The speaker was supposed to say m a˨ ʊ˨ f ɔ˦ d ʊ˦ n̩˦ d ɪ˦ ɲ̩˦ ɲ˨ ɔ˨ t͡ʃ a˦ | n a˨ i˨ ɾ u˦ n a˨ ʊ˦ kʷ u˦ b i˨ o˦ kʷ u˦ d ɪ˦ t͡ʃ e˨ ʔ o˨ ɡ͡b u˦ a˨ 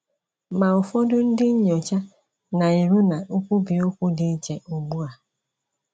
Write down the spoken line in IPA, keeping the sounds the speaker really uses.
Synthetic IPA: m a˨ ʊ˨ f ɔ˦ d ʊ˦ n̩˦ d ɪ˦ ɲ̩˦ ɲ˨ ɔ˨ t͡ʃ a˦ | n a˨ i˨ ɾ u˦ n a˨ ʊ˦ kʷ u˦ b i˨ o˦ kʷ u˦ d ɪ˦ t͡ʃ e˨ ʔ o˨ ɡ͡b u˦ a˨